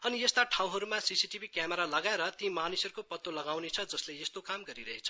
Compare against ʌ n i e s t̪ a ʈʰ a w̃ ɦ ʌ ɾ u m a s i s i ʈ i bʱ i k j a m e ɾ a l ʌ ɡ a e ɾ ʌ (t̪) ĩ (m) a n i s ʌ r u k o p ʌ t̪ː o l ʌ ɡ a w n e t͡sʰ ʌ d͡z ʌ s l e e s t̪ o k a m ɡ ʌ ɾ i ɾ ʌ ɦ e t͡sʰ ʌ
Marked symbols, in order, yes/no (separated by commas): yes, yes